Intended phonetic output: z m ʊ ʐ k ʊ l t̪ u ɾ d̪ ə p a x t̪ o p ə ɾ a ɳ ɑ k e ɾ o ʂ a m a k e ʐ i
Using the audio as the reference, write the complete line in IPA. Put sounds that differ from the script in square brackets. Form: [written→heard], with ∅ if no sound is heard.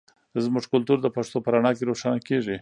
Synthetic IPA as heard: z m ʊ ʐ k ʊ l t̪ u ɾ d̪ ə p a [x→ʂ] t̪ o p ə ɾ a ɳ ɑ k e ɾ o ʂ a [m→n] a k e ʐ i